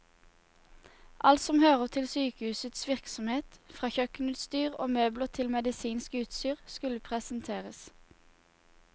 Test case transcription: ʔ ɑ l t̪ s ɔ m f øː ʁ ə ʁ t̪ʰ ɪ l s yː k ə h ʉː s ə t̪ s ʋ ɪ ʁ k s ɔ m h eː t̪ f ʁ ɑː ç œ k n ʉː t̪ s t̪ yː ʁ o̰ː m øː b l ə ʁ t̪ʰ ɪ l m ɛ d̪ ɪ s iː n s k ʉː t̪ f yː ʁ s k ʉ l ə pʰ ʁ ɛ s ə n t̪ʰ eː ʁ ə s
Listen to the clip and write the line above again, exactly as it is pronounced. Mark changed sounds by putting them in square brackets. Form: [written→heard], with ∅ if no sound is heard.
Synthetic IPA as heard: ʔ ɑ l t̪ s ɔ m [f→h] øː ʁ ə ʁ t̪ʰ ɪ l s yː k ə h ʉː s ə t̪ s ʋ ɪ ʁ k s ɔ m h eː t̪ f ʁ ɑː ç œ k n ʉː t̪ s t̪ yː ʁ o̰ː m øː b l ə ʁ t̪ʰ ɪ l m ɛ d̪ ɪ s iː n s k ʉː t̪ [f→s] yː ʁ s k ʉ l ə pʰ ʁ ɛ s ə n t̪ʰ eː ʁ ə s